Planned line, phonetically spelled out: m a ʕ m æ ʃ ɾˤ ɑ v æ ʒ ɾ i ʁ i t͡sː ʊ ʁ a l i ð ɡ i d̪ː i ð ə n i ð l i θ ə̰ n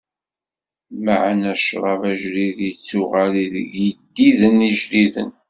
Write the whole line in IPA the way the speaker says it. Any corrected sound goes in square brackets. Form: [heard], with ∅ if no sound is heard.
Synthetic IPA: m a ʕ [n] æ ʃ ɾˤ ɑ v æ ʒ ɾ i [ð] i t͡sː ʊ ʁ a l i ð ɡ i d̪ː i ð ə n i [ʒ] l i [ð] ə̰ n